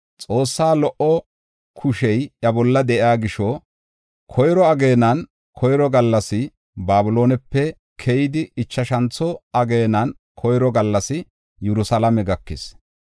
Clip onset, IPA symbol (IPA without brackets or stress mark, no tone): t͡sʼ